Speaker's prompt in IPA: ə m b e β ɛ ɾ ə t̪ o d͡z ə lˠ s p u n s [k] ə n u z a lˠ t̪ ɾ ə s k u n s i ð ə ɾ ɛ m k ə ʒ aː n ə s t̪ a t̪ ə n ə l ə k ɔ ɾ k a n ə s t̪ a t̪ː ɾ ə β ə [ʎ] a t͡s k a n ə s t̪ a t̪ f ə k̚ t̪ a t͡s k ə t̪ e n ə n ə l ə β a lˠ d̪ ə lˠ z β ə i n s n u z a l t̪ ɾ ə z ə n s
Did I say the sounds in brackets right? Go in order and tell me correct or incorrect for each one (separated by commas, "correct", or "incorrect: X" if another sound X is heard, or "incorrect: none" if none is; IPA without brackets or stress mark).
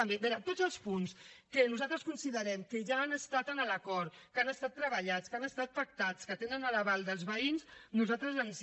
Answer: correct, correct